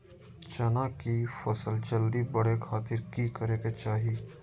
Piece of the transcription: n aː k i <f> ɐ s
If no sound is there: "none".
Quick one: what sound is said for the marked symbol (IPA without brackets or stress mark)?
f